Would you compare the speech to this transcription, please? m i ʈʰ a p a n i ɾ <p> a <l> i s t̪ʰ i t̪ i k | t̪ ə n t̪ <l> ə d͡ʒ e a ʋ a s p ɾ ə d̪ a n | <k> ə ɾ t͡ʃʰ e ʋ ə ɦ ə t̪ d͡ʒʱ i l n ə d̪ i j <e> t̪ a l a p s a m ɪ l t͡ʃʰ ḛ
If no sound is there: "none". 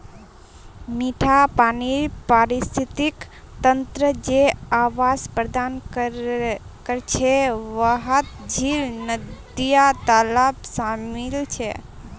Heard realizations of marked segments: p, ɾ, ɾ, k, a

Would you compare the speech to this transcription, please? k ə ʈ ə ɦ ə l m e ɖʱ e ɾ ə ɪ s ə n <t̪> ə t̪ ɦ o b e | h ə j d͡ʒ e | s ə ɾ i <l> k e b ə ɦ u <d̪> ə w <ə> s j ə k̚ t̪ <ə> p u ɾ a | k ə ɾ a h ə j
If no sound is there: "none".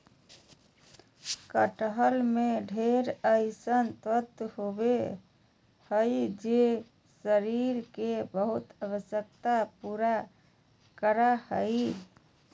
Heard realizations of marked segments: t̪, ɾ, t̪, ə, a

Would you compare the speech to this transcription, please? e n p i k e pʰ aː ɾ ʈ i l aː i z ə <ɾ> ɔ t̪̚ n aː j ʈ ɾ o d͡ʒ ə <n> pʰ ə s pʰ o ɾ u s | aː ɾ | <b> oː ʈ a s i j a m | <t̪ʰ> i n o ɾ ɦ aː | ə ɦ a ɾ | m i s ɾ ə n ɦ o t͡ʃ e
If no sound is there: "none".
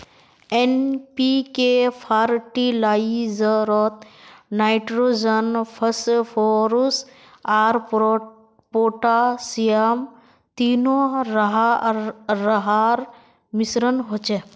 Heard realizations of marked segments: ɾ, n, p, t̪

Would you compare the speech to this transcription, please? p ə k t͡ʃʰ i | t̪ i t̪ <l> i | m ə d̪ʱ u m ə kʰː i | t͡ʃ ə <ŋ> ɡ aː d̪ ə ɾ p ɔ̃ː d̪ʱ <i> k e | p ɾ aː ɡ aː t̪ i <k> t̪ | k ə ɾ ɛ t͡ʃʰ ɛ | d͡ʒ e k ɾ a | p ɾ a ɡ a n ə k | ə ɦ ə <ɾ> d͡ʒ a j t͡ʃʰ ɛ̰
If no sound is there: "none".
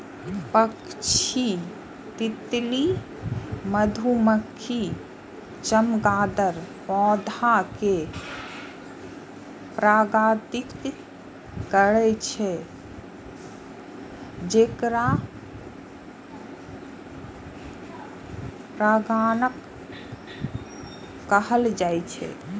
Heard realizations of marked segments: l, m, a, k, l

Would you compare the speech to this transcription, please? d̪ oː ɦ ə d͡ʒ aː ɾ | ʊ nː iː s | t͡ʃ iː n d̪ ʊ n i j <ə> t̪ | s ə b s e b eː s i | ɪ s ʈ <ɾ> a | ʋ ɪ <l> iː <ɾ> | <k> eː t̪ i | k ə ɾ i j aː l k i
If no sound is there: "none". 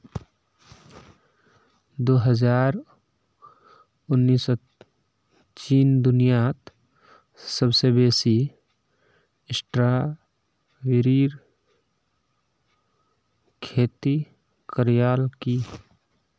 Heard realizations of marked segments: a, ɾ, ɾ, ɾ, kʰ

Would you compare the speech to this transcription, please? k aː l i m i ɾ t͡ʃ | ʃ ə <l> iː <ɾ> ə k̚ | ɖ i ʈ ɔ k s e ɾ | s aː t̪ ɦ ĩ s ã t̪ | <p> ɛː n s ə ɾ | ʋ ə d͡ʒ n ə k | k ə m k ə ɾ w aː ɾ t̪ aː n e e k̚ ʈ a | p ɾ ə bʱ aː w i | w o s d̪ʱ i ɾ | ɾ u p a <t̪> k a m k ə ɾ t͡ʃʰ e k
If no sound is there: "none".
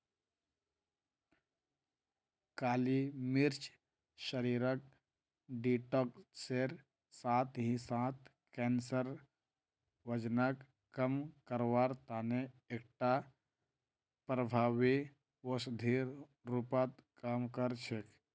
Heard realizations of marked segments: ɾ, ɾ, k, t̪

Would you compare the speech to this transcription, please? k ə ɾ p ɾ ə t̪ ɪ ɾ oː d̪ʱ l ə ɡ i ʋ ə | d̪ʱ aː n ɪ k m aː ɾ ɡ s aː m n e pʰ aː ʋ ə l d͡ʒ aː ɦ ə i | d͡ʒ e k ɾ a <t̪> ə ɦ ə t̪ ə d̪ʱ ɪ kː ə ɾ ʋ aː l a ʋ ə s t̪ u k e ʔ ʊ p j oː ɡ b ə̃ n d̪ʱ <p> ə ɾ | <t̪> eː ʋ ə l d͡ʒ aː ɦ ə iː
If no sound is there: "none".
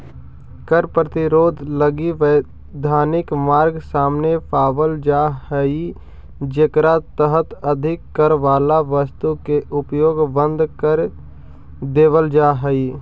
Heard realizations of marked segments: t̪, k, d̪

